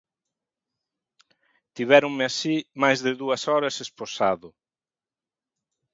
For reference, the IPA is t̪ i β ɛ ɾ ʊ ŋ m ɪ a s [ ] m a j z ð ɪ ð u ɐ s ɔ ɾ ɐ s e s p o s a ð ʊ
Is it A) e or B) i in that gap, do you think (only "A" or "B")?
B